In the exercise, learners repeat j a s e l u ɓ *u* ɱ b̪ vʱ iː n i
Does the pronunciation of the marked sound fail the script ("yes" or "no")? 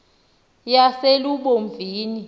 yes